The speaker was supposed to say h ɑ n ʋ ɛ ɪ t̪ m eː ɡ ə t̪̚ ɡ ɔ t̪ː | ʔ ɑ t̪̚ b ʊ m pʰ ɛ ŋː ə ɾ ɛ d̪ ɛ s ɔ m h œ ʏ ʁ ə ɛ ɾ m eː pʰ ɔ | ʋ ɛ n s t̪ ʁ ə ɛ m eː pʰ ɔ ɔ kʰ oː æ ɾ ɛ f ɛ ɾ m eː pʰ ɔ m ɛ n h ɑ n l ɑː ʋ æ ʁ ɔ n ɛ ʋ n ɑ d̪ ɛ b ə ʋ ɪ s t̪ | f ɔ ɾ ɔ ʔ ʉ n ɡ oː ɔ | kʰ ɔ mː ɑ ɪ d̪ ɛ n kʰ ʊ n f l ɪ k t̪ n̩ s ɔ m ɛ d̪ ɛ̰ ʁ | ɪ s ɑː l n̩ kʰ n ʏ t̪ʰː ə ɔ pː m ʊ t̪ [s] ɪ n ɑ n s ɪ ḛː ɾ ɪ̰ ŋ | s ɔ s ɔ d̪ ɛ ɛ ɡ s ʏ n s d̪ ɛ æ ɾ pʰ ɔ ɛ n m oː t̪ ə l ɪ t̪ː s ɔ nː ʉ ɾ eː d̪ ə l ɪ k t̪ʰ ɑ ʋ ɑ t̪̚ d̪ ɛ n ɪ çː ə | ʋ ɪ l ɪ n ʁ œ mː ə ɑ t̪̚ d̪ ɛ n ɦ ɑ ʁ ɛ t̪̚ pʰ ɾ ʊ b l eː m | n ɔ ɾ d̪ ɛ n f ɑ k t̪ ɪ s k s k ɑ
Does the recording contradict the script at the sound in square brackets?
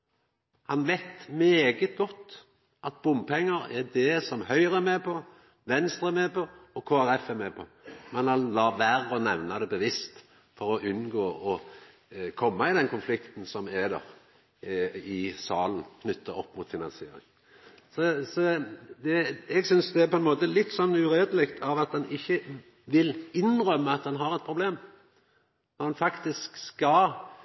yes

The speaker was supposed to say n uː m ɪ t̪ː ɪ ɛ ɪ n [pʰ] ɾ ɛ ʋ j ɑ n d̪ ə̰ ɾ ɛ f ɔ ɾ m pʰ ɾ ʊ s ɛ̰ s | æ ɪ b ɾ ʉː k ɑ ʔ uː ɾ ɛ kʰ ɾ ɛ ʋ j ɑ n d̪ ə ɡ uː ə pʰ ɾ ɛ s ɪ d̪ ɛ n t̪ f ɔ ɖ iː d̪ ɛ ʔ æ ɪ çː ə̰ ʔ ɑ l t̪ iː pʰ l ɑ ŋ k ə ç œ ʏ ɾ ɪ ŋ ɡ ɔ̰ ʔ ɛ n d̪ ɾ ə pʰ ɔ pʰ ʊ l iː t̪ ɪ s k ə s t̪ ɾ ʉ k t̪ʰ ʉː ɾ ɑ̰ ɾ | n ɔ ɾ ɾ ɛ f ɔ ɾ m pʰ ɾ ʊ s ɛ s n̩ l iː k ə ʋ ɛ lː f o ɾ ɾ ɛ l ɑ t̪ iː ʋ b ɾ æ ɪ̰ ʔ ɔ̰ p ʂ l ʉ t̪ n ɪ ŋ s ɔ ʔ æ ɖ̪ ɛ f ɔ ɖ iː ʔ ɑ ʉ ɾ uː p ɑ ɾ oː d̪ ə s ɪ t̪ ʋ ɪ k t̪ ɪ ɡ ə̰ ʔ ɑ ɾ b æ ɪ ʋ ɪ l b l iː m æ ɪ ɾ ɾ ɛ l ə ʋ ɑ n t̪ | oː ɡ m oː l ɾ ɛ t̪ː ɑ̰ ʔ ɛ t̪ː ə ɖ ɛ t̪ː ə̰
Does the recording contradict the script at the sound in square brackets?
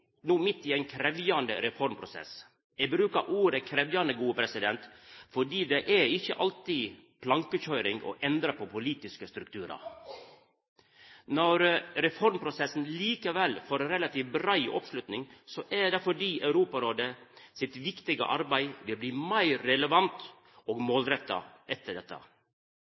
yes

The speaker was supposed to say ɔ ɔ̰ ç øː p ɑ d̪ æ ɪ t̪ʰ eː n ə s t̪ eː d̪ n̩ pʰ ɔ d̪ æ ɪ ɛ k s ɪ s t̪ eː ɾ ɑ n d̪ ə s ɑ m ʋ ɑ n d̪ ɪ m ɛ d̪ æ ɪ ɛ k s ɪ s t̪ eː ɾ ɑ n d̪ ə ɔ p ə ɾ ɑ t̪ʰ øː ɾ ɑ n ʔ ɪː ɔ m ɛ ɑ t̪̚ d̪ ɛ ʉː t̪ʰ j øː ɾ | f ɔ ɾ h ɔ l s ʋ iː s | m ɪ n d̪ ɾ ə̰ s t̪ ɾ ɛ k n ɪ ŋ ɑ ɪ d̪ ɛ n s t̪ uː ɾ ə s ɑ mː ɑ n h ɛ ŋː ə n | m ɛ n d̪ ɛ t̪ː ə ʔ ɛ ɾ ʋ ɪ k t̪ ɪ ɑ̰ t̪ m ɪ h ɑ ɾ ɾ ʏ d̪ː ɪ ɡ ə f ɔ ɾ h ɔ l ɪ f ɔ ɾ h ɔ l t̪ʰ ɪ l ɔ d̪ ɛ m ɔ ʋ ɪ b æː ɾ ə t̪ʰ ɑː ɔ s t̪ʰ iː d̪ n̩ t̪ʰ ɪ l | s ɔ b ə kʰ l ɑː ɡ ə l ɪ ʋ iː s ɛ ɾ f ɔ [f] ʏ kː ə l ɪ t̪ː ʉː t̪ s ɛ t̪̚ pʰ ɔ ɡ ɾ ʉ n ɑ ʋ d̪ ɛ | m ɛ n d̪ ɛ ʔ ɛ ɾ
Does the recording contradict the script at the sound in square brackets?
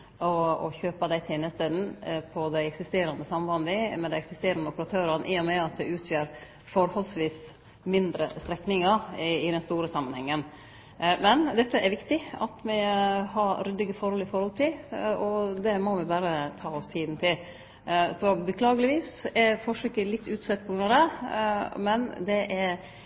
yes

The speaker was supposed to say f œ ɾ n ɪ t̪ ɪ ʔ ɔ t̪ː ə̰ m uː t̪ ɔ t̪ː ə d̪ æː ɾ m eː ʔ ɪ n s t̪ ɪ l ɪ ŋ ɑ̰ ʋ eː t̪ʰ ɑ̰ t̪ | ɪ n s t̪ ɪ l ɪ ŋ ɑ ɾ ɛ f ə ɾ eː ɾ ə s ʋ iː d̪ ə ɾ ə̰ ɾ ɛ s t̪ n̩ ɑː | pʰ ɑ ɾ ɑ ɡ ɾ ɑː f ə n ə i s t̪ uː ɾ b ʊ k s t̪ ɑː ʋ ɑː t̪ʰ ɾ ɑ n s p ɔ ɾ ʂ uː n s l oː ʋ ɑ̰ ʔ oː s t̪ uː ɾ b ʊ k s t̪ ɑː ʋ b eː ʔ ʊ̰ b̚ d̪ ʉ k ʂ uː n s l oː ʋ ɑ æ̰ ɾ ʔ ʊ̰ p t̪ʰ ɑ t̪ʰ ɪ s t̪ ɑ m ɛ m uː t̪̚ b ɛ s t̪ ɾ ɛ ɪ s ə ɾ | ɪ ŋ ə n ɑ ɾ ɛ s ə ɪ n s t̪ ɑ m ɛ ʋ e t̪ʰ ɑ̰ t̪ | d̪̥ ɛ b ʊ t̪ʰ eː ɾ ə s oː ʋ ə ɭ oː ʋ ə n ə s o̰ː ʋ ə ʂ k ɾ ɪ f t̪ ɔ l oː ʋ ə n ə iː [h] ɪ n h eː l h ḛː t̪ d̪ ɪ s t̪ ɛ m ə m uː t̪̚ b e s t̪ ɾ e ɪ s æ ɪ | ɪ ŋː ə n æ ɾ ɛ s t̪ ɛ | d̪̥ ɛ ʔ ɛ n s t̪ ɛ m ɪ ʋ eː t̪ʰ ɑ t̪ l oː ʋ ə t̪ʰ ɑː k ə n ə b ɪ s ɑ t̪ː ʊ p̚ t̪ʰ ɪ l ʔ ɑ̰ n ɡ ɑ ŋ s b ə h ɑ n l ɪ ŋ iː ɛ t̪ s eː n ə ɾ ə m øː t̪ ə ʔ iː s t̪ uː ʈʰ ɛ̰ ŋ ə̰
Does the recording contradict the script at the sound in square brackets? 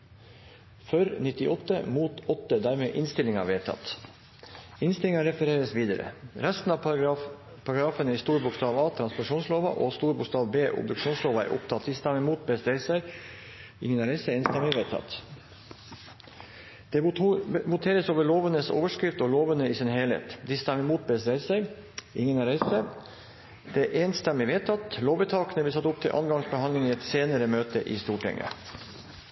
yes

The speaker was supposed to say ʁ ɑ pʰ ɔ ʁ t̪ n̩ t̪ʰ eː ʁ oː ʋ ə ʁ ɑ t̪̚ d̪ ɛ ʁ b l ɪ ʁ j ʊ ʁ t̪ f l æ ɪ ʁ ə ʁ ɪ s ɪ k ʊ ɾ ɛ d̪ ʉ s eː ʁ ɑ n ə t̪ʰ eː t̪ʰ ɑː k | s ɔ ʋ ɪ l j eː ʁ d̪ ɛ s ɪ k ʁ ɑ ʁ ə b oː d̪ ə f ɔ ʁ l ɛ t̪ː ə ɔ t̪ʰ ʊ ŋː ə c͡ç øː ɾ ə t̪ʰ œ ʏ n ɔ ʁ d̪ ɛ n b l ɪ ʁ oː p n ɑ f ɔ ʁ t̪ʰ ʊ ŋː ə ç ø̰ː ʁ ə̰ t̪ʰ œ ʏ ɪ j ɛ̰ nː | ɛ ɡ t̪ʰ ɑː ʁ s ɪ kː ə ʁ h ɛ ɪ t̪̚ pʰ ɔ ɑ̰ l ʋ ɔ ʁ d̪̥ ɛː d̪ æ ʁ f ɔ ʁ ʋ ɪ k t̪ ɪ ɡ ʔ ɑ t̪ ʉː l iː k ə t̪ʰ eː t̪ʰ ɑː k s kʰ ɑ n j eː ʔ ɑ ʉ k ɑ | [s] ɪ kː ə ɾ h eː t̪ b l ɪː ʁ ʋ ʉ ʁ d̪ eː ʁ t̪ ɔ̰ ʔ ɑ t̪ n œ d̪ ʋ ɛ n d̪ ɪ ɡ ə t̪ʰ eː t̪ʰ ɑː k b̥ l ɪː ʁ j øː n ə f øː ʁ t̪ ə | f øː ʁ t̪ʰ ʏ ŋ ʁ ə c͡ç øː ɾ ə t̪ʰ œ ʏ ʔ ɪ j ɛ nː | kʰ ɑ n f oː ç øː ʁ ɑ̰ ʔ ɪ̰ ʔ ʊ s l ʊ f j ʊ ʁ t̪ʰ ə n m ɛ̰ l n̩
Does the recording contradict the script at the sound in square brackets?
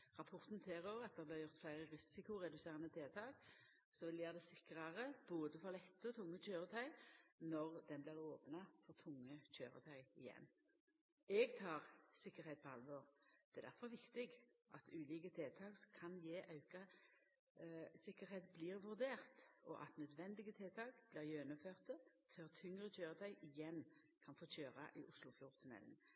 no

